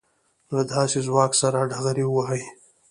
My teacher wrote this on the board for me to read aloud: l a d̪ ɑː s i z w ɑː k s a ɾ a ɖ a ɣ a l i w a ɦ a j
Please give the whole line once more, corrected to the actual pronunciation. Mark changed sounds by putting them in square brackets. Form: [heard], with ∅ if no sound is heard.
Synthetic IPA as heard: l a d̪ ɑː s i z w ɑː k s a ɾ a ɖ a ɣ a [ɾ] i w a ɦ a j